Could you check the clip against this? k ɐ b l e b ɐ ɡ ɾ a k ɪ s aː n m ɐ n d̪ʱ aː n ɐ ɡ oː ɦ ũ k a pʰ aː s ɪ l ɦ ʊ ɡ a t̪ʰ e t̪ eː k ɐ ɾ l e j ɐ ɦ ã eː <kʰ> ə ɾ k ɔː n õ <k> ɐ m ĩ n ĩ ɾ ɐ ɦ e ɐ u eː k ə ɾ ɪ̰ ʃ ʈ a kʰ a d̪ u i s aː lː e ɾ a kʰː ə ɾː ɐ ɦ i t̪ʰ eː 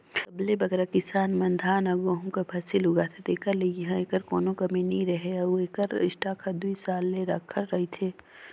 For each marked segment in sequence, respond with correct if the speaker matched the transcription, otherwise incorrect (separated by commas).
incorrect, correct